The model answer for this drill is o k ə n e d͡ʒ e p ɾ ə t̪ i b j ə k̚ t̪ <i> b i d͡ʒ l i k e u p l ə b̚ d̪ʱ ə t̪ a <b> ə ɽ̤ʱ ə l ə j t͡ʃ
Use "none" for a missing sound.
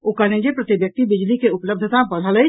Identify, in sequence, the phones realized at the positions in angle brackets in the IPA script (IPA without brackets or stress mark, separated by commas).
i, b